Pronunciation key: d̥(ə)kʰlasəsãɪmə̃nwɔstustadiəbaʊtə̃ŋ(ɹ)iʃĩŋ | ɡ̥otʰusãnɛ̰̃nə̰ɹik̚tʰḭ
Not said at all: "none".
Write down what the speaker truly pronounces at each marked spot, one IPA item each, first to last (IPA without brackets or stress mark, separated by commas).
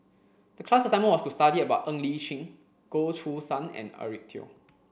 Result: ə, l